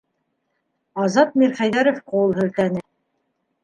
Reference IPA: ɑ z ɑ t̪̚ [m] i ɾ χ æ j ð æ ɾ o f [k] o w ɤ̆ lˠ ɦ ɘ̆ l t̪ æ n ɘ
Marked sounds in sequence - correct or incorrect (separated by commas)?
correct, incorrect